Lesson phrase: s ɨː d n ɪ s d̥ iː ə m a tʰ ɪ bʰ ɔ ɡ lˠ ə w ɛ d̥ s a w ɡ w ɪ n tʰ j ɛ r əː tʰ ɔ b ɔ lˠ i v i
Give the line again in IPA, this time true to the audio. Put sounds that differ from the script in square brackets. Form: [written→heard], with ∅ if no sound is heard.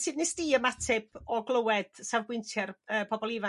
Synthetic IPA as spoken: s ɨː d n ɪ s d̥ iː ə m a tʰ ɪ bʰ ɔ ɡ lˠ ə w ɛ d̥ s a [w→v] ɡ w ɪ n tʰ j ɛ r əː [tʰ→pʰ] ɔ b ɔ lˠ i v [i→a]